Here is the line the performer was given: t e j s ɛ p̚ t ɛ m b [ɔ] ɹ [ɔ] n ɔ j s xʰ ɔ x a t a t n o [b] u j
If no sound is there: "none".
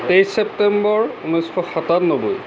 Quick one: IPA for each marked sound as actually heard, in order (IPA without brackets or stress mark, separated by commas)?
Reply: ɔ, u, b